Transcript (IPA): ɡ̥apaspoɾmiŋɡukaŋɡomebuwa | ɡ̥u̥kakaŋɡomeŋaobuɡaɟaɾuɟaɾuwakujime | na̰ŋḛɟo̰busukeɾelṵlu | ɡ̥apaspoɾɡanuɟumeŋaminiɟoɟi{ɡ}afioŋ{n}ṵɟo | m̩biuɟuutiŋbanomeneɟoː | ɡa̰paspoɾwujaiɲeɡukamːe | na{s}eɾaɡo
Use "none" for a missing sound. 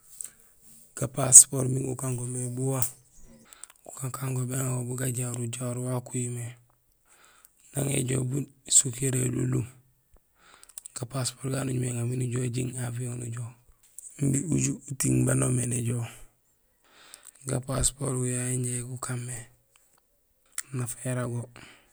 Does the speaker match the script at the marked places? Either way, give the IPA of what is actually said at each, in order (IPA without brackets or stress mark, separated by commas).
ŋ, n, f